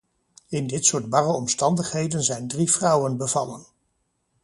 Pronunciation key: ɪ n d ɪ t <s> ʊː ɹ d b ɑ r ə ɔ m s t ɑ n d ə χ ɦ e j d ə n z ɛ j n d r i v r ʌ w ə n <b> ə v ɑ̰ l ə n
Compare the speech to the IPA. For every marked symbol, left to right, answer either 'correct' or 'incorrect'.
correct, correct

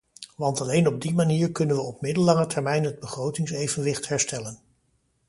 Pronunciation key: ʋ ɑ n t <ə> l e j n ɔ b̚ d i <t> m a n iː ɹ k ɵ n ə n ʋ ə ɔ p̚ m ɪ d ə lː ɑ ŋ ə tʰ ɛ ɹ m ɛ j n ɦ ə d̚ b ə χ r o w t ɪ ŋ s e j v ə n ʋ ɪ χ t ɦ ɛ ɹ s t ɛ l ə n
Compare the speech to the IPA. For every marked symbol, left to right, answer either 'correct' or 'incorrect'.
incorrect: ɑ, incorrect: none

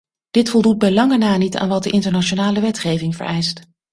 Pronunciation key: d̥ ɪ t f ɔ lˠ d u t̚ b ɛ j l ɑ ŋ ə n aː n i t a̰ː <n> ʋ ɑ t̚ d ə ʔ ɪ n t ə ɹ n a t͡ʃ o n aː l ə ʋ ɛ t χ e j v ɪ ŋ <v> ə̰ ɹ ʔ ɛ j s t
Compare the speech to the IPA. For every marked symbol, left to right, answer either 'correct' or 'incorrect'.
correct, correct

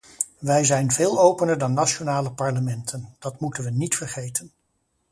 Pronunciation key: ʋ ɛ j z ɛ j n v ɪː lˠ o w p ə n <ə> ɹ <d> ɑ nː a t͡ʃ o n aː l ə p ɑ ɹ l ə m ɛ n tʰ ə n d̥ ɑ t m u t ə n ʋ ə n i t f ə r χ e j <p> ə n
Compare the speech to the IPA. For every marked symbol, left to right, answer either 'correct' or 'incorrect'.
correct, correct, incorrect: t

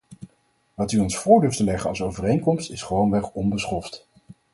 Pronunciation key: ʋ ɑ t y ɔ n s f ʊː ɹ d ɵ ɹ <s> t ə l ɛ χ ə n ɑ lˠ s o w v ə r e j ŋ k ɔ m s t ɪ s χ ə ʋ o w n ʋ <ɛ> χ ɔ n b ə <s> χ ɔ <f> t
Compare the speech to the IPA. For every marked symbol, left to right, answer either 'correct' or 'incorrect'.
incorrect: f, correct, correct, correct

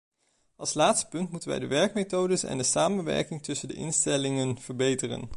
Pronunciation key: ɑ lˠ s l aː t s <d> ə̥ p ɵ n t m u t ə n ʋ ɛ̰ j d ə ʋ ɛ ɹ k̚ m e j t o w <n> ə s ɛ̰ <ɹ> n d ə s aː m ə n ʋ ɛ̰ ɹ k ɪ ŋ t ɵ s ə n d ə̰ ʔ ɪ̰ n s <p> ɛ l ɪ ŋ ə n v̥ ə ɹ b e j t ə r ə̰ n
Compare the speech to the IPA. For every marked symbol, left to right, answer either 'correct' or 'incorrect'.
incorrect: t, incorrect: d, incorrect: none, incorrect: t

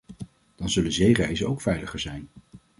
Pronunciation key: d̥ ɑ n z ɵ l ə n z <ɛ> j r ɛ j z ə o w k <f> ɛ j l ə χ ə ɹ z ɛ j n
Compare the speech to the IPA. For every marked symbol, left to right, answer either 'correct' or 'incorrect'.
incorrect: e, correct

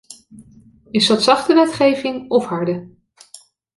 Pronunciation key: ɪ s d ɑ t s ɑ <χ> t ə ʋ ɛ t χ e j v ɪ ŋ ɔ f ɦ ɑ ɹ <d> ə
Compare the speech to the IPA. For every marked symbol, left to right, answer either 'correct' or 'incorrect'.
correct, correct

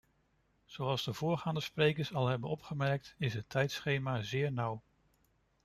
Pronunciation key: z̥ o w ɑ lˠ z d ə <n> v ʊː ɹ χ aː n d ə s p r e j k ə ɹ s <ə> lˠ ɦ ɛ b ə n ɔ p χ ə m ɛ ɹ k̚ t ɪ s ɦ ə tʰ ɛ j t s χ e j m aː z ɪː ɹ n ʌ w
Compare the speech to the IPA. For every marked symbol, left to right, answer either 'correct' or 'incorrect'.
incorrect: none, incorrect: ɑ

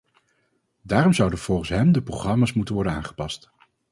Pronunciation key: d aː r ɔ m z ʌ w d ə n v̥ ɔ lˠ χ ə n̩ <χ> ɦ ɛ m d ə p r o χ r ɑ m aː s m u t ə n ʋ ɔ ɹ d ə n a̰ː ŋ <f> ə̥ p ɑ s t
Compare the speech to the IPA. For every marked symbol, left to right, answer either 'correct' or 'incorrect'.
incorrect: s, incorrect: χ

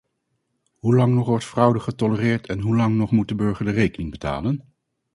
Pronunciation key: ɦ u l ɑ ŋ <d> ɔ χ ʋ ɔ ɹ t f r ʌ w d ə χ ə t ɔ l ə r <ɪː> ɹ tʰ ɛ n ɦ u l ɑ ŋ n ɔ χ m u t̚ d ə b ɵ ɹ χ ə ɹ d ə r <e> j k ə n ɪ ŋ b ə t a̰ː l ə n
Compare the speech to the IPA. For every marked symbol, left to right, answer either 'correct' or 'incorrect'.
incorrect: n, correct, correct

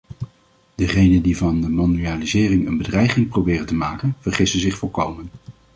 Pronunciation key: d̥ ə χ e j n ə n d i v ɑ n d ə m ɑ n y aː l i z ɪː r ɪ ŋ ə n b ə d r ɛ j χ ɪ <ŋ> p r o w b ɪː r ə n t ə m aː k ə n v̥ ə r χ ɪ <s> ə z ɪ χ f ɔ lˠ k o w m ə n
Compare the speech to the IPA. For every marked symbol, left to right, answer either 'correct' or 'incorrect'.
correct, correct

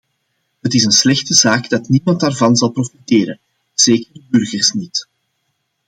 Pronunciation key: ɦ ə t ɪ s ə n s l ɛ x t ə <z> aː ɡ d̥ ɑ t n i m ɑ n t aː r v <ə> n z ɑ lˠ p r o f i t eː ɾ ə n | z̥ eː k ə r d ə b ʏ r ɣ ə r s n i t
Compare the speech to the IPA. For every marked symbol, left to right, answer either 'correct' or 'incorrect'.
correct, incorrect: ɑ

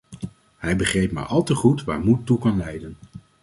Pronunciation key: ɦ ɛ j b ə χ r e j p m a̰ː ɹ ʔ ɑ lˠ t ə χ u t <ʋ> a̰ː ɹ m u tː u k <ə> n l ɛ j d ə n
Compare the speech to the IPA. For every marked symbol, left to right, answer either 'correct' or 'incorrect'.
correct, incorrect: ɑ

